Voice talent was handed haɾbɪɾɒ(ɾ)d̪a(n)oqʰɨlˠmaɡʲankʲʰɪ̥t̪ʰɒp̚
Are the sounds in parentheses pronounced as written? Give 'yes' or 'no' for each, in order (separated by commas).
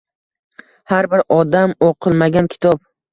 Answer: no, no